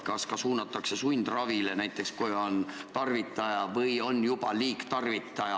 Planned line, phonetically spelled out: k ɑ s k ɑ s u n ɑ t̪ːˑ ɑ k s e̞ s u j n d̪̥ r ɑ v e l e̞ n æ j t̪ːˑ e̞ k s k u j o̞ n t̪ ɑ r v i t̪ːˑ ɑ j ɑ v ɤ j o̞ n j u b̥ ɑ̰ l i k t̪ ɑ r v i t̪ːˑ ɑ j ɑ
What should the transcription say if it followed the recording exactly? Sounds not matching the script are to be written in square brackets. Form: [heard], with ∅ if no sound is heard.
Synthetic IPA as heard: k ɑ s k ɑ s [uː] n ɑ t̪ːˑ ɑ k s e̞ s u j n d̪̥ r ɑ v [i] l e̞ n æ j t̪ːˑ e̞ k s k u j o̞ n t̪ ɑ r v i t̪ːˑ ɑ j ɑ v ɤ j o̞ n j u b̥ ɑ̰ l [iː] k t̪ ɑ r v i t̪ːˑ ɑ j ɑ